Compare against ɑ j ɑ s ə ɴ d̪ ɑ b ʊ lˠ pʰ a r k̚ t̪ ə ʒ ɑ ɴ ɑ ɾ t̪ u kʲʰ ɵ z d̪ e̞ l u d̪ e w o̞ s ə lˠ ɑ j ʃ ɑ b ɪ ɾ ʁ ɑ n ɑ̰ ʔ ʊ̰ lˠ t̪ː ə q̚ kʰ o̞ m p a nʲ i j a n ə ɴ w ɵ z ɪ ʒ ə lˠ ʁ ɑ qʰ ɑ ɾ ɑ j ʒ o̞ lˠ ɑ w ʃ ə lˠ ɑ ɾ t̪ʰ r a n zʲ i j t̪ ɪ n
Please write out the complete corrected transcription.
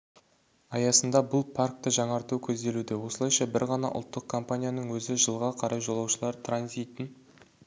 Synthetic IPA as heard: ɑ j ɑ s ə n d̪ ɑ b ʊ lˠ pʰ a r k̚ t̪ ə ʒ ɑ ɴ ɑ ɾ t̪ u kʲʰ ɵ z d̪ e̞ l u d̪ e w o̞ s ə lˠ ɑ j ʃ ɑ b ɪ ɾ ʁ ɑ n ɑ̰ ʔ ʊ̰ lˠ t̪ː ə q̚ kʰ o̞ m p a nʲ i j a n ə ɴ w ɵ z ɪ ʒ ə lˠ ʁ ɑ qʰ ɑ ɾ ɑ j ʒ o̞ lˠ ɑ w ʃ ə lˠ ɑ ɾ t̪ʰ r a n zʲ i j t̪ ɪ n